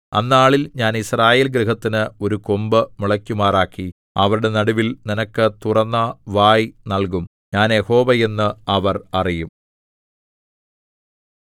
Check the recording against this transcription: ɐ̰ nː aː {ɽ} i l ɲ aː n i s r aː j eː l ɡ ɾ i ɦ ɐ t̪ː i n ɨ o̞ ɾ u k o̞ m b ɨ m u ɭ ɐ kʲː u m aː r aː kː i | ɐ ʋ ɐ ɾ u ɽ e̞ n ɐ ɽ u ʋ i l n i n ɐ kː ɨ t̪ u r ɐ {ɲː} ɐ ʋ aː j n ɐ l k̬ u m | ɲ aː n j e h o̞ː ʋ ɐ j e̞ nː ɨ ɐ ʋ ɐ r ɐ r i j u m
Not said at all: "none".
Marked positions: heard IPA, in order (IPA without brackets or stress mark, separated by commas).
ɭ, nː